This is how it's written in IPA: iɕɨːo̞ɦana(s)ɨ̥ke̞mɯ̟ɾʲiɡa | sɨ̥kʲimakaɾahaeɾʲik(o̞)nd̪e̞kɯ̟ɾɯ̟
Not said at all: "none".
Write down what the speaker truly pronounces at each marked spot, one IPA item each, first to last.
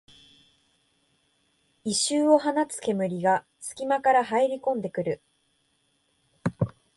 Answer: t͡s, õ̞

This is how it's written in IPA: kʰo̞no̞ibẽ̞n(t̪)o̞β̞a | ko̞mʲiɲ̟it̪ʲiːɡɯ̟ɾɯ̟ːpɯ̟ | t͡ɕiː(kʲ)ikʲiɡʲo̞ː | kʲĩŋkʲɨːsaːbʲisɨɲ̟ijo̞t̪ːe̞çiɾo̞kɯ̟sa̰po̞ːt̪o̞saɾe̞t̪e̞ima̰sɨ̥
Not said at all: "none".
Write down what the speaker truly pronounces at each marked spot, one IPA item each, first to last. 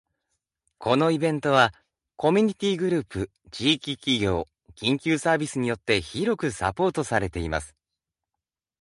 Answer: t̪, kʲ

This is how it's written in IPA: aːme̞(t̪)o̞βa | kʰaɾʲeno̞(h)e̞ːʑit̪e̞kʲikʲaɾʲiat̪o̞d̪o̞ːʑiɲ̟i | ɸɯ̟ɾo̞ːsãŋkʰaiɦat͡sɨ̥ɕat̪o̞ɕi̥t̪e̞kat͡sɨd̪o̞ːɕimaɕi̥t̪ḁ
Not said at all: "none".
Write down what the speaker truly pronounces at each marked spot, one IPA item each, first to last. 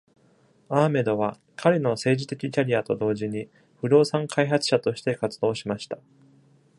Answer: d̪, s

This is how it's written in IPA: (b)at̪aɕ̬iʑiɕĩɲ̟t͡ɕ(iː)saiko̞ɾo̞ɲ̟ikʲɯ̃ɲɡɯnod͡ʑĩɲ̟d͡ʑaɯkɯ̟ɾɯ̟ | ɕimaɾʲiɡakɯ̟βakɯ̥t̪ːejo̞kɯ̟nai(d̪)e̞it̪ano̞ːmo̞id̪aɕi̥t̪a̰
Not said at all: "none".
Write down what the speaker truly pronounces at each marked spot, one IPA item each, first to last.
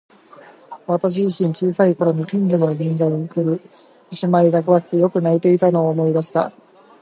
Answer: β, iː, t̪

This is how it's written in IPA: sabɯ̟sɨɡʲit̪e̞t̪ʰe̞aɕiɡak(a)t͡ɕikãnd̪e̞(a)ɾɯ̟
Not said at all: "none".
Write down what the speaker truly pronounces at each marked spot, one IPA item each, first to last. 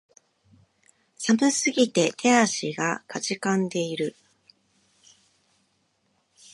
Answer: a, i

